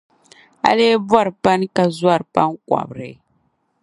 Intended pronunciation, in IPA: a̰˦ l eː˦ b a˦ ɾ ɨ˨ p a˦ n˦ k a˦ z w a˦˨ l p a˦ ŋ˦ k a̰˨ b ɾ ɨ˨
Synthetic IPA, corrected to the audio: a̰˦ l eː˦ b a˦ ɾ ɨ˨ p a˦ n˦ k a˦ z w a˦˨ ɾ p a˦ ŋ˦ k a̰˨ b ɾ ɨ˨